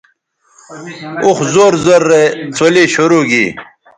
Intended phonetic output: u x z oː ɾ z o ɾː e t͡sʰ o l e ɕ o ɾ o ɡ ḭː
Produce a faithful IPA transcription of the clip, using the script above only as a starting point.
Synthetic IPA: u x z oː ɾ z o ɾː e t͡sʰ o l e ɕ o ɾ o ɡ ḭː